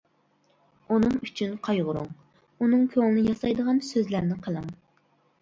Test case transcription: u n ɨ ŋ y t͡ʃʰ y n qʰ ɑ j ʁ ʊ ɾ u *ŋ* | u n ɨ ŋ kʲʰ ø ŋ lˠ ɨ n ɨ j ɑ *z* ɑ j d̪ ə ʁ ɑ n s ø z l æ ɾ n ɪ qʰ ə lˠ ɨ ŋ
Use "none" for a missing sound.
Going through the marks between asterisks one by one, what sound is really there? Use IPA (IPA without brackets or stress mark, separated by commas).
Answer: ŋ, s